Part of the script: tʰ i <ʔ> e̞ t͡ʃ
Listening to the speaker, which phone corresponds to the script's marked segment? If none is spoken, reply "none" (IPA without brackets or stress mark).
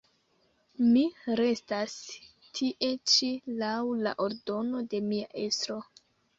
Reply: ʔ